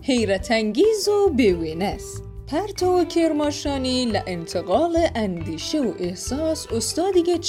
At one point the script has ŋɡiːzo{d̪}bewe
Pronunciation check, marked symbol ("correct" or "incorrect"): incorrect